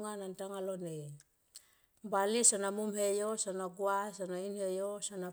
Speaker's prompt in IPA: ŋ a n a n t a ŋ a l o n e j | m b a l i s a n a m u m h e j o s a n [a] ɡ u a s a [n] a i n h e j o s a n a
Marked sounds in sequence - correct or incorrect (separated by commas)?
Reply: correct, correct